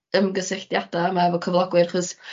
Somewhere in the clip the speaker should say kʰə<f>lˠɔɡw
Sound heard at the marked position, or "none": v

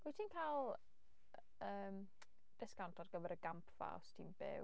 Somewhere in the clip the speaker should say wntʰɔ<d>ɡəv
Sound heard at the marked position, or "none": d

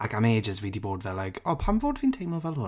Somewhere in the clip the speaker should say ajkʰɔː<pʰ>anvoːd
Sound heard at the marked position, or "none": pʰ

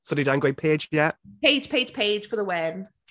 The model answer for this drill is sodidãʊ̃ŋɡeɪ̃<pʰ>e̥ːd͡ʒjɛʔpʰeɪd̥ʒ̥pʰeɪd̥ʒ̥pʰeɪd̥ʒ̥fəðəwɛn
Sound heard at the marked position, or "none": pʰ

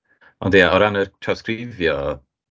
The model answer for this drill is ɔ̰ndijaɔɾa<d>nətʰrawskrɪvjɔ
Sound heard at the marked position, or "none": none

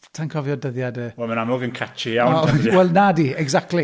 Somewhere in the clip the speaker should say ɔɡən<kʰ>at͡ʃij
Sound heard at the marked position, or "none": kʰ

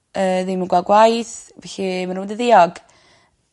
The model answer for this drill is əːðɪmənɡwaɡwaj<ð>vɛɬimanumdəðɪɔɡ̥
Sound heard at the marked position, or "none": θ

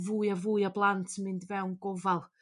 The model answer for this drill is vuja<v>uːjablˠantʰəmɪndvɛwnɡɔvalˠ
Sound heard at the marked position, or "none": v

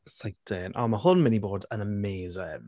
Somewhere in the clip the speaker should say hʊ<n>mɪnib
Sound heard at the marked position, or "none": n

